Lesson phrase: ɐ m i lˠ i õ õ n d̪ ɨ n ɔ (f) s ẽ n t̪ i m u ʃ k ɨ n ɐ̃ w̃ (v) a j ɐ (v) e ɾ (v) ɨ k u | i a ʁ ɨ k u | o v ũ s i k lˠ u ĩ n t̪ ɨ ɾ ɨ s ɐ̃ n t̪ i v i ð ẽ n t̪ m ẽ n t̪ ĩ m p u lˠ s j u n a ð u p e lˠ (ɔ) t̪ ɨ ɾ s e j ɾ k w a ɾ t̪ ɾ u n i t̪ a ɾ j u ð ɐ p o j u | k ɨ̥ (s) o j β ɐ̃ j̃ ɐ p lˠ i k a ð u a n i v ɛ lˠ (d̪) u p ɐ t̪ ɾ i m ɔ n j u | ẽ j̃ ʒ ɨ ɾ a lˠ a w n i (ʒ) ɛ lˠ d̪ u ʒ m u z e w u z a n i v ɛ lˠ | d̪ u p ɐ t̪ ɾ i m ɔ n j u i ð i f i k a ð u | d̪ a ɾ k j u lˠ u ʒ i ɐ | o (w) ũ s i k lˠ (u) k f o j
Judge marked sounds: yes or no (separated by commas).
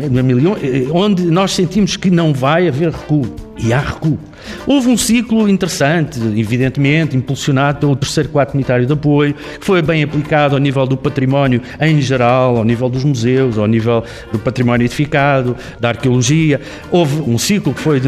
no, yes, yes, no, no, no, yes, no, no, yes